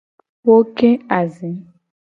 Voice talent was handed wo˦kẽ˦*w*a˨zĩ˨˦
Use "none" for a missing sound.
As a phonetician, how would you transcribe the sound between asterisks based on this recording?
none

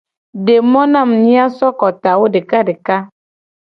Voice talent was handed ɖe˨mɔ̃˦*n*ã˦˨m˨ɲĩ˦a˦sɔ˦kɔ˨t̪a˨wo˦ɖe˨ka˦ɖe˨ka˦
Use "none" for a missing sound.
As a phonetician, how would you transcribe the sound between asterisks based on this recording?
n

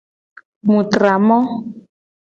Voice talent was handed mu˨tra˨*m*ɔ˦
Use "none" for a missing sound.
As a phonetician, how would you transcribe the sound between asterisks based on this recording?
m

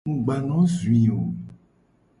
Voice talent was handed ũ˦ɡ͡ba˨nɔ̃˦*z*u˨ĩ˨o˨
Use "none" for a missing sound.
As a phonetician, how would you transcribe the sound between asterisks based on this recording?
z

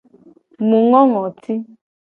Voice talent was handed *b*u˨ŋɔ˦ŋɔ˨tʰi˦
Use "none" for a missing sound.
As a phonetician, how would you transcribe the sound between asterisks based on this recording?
m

